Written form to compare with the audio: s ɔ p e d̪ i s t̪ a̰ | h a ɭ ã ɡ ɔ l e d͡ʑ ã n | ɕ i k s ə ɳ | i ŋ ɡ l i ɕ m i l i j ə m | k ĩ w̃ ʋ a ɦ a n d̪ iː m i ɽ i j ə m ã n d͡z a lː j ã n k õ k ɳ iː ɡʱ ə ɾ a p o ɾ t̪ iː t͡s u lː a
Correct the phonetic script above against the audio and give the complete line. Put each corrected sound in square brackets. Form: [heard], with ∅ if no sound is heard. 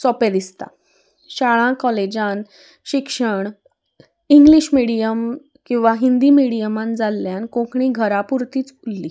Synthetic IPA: s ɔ p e d̪ i s t̪ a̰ | [ɕ] a ɭ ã [k] ɔ l e d͡ʑ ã n | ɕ i k [ʂ] ə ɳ | i ŋ ɡ l i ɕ m i [ɽ] i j ə m | k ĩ w̃ ʋ a ɦ [i] n d̪ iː m i ɽ i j ə m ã n d͡z a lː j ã n k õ k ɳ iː ɡʱ ə ɾ a p [u] ɾ t̪ iː t͡s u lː [i]